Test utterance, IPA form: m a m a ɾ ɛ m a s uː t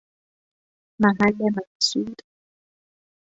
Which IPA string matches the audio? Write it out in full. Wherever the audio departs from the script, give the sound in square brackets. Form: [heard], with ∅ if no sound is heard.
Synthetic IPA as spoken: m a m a [l] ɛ m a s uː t